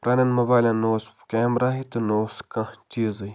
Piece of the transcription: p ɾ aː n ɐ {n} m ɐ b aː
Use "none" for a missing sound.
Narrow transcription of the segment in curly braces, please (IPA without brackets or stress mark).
n